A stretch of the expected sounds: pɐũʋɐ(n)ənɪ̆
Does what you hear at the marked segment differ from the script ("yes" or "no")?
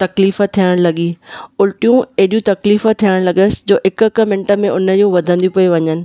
yes